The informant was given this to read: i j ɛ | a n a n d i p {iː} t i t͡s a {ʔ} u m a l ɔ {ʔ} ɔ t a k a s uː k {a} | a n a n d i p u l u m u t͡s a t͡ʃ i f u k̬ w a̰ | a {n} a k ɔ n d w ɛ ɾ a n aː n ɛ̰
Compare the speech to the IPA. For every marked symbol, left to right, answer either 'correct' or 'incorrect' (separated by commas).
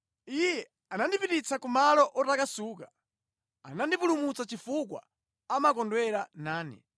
incorrect, incorrect, correct, correct, incorrect